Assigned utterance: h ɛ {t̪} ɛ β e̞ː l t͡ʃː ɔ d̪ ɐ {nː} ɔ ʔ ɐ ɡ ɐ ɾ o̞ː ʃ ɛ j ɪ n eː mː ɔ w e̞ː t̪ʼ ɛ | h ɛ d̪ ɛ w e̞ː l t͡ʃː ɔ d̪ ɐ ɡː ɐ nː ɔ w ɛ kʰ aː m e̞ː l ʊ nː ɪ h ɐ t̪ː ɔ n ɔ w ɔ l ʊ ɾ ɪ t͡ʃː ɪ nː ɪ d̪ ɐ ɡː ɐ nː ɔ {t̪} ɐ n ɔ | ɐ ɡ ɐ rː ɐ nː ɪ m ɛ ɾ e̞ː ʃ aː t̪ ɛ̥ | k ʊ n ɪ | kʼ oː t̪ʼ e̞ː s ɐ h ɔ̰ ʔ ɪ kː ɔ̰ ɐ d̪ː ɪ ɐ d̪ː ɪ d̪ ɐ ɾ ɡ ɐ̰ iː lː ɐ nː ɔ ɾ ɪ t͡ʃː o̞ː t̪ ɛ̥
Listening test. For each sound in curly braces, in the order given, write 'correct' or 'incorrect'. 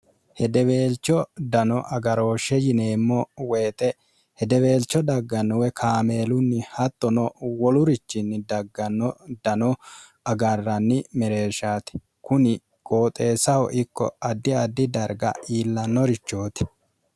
incorrect: d̪, incorrect: n, incorrect: d̪

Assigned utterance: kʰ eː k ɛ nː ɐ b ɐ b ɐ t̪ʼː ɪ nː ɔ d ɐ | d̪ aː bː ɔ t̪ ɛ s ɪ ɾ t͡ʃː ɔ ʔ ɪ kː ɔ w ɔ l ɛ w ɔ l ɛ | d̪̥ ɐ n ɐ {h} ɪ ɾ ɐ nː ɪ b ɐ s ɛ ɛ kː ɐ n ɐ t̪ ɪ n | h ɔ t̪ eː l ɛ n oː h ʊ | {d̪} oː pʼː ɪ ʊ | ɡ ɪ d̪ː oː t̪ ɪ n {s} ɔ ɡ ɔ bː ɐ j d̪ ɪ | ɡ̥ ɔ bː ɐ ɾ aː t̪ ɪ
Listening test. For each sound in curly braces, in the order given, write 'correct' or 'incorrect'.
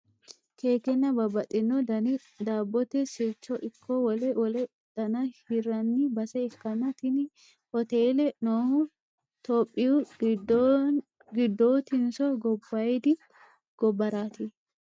correct, incorrect: t̪, correct

